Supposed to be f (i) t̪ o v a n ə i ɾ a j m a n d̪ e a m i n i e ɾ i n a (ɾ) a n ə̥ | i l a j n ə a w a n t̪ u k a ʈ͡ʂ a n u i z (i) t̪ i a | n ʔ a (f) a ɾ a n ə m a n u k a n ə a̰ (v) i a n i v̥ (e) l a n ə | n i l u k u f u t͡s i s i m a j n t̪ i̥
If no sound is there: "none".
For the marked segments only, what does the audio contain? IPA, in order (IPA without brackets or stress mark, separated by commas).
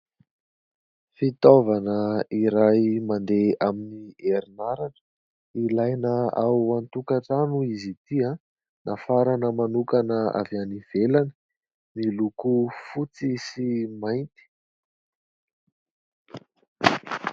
i, ɾ, i, f, v, e